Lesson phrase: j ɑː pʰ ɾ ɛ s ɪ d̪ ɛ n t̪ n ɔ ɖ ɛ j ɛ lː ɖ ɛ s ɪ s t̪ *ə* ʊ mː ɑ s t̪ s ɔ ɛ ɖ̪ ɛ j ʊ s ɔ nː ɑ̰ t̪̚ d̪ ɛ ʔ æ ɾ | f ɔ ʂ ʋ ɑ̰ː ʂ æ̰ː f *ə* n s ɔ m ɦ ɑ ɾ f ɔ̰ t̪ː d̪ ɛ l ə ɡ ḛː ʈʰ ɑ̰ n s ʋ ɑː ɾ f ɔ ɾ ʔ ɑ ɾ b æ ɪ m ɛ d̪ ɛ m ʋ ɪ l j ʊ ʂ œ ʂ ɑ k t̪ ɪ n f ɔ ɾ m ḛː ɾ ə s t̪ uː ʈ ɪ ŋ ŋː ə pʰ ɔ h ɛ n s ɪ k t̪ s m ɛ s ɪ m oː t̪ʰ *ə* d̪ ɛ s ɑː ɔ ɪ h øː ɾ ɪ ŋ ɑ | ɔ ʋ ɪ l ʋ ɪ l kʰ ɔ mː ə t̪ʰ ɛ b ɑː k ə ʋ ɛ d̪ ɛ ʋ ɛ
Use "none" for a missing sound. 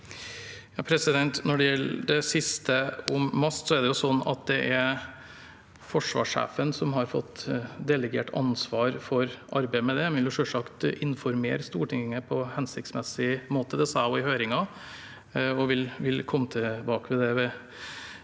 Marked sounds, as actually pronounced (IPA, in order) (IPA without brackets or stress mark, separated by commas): ə, ə, ə